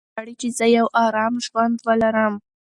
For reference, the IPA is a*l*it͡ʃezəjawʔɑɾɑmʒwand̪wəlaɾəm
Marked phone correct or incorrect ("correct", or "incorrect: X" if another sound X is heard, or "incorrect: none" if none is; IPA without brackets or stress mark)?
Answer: incorrect: ɽ